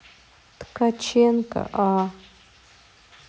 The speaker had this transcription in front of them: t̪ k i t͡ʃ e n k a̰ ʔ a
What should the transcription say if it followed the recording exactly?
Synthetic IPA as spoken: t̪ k a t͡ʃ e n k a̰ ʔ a